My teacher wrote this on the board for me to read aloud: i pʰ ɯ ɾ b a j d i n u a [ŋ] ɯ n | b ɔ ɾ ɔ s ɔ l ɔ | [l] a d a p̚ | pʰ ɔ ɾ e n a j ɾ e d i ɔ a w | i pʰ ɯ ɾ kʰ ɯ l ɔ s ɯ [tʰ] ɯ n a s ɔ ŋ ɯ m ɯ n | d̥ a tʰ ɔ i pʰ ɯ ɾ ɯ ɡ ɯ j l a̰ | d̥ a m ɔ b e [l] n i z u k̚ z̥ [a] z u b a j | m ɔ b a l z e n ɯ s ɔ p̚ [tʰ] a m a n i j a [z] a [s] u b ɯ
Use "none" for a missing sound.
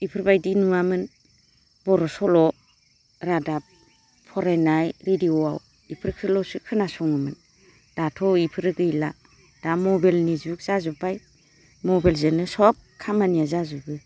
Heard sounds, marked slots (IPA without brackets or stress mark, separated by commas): m, ɾ, kʰ, l, a, kʰ, z, z